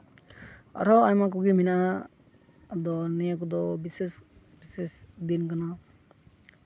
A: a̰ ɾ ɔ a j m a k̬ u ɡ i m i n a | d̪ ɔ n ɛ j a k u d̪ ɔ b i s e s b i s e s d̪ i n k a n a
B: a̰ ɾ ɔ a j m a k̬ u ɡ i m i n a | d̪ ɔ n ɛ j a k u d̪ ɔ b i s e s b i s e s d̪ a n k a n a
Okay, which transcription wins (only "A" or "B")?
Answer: A